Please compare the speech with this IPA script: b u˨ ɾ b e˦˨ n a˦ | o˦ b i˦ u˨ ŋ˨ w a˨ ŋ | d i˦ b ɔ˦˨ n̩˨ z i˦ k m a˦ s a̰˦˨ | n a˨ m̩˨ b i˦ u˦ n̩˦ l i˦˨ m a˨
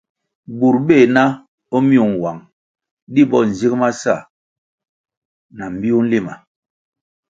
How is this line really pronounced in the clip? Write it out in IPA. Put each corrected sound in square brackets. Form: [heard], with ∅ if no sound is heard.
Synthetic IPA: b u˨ ɾ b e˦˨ n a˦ | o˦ [m] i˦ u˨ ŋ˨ w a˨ ŋ | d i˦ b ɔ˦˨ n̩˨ z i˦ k m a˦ s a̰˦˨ | n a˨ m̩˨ b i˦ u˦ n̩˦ l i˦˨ m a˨

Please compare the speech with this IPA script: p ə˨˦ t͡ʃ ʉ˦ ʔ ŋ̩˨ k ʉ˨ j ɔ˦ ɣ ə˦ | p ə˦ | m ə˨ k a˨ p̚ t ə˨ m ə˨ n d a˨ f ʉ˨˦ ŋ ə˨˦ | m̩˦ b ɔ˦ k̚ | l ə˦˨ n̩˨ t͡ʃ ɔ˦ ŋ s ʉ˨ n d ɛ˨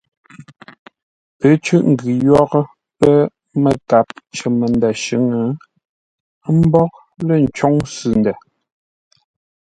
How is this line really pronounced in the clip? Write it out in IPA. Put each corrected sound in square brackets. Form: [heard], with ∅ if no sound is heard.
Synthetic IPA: p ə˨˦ t͡ʃ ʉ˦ ʔ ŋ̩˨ [ɡ] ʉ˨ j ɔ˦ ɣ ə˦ | p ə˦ | m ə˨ k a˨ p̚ [t͡ʃ] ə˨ m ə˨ n d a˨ [ʃ] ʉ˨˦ ŋ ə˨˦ | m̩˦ b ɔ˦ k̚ | l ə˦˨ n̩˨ t͡ʃ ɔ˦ ŋ s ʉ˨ n d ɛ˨

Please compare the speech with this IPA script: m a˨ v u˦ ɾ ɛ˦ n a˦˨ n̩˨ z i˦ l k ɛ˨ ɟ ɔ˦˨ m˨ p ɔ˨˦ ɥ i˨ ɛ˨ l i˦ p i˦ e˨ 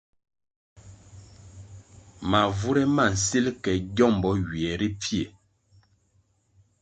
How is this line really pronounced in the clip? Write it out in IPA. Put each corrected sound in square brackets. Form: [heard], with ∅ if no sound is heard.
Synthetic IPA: m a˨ v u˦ ɾ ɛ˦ [m] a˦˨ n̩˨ [s] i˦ l k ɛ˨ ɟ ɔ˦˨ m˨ [b] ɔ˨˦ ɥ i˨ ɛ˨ [ɾ] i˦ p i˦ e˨

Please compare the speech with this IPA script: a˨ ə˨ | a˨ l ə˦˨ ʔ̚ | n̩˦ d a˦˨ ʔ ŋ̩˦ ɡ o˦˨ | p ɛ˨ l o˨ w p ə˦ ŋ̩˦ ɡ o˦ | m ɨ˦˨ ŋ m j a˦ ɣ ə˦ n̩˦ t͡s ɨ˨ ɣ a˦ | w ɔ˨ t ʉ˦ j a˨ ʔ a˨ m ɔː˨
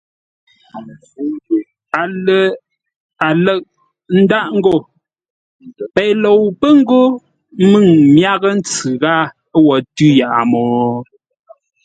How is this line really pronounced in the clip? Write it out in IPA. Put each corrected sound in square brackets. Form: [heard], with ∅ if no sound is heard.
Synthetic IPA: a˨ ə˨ | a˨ l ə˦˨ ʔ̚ | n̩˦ d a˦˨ ʔ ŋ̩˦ ɡ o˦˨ | p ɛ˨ l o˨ w p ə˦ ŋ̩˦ ɡ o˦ | m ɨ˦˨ ŋ m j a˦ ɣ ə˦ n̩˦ t͡s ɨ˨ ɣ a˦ | w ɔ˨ t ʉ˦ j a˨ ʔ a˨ m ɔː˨

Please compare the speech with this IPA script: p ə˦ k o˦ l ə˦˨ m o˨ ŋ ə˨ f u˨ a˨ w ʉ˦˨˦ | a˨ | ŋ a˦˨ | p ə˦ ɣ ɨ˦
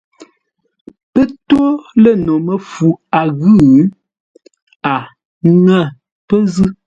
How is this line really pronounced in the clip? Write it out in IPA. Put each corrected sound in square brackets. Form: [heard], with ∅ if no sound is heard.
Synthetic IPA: p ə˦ [t] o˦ l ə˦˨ [n] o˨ [m] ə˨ f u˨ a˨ [ɣ] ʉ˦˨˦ | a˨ | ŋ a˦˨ | p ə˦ [z] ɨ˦

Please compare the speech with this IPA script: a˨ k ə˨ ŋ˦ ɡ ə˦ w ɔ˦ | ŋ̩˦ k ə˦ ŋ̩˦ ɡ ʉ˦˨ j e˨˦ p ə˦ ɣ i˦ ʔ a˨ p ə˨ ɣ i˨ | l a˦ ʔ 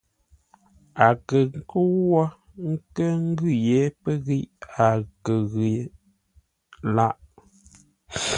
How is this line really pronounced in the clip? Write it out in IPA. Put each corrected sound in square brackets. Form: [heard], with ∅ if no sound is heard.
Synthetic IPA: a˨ k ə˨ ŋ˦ [k] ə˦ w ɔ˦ | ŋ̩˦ k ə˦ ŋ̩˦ ɡ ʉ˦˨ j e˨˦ p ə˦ ɣ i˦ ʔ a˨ [k] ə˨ ɣ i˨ | l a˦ ʔ

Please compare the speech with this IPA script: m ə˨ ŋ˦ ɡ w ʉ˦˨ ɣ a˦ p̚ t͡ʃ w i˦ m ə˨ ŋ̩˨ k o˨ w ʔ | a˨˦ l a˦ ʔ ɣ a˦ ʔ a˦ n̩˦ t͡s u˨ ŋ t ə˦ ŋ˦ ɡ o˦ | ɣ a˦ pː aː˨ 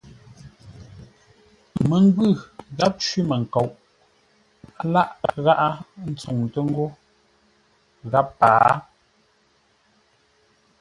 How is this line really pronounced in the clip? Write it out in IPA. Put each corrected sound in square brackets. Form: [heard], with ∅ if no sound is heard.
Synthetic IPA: m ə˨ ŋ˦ ɡ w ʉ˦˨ ɣ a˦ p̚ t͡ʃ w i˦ m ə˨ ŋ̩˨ k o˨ w ʔ | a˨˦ l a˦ ʔ ɣ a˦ ʔ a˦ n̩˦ t͡s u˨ ŋ t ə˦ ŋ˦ ɡ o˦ | ɣ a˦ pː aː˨

